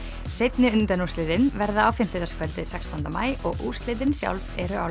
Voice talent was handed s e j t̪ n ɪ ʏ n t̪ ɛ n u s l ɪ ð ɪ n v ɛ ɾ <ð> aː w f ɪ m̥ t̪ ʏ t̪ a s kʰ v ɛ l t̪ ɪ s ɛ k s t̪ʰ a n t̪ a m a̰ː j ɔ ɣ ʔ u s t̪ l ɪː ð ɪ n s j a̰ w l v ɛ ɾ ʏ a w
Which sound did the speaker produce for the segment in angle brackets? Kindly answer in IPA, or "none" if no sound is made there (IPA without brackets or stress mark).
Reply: ð